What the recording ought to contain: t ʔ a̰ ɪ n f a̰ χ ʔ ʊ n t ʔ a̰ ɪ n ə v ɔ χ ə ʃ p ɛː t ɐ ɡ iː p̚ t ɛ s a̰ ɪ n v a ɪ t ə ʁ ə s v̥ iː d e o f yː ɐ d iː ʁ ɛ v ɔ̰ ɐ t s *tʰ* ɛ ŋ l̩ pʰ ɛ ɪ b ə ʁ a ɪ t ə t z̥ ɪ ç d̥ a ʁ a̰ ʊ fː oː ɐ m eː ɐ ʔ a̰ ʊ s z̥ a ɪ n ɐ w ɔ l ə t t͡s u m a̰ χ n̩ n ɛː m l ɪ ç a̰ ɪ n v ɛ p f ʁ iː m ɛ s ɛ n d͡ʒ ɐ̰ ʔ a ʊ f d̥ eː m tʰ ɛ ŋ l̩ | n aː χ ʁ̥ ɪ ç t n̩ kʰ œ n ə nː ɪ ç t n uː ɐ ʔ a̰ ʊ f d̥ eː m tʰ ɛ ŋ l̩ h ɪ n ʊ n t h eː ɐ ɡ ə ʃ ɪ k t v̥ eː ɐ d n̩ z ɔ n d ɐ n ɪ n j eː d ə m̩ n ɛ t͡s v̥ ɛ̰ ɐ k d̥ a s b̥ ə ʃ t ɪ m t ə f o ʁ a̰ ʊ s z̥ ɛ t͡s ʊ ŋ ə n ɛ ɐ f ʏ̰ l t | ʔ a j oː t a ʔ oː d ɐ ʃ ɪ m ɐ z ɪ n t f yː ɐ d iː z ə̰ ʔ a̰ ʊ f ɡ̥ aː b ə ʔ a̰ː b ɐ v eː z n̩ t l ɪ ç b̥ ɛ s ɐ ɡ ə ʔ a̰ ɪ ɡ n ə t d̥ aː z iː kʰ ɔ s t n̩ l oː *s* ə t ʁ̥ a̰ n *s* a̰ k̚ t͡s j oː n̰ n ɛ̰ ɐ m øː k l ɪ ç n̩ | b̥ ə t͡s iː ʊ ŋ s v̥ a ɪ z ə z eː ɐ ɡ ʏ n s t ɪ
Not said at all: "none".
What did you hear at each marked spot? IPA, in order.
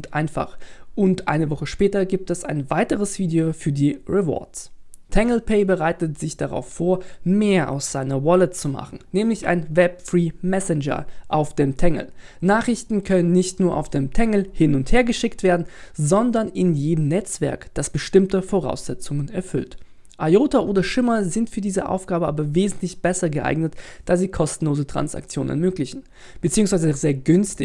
tʰ, z, s

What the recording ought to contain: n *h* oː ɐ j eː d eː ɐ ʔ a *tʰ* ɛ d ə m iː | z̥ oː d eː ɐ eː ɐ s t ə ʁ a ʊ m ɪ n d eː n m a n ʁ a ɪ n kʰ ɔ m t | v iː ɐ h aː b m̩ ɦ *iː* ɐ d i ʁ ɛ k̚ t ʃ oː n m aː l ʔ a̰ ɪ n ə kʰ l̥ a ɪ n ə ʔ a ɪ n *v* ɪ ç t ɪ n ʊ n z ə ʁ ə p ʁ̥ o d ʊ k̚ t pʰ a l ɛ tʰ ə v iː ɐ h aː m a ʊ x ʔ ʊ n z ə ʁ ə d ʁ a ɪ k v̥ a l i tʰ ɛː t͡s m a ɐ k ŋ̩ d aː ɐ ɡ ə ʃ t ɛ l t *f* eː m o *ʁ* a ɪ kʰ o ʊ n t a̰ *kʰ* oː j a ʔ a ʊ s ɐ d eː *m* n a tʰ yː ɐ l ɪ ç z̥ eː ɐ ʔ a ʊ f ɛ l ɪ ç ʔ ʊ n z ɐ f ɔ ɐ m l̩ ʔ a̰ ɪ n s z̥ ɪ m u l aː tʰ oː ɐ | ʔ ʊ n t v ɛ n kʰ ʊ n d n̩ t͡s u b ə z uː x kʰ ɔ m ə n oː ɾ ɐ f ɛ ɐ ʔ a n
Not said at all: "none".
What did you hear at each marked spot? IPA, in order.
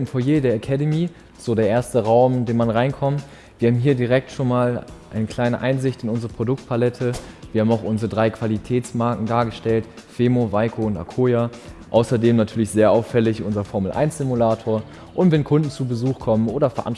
f, kʰ, iː, z, f, v, kʰ, m

